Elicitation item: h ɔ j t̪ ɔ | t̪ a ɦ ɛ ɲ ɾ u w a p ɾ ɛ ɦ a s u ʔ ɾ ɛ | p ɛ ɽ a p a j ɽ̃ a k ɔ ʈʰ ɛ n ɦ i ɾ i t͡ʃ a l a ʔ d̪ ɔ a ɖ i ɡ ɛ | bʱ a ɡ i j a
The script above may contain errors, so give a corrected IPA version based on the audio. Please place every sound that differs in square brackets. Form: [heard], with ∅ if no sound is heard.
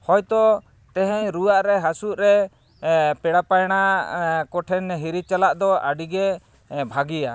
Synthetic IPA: h ɔ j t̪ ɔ | t̪ [ɛ] ɦ ɛ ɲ ɾ u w a [ʔ] ɾ ɛ ɦ a s u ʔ ɾ ɛ | p ɛ ɽ a p a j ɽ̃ a k ɔ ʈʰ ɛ n ɦ i ɾ i t͡ʃ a l a ʔ d̪ ɔ a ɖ i ɡ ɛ | bʱ a ɡ i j a